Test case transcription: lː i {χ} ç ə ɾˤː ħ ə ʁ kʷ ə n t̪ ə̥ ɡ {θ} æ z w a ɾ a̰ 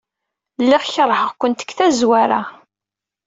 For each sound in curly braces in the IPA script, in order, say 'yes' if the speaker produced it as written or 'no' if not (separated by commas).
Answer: no, yes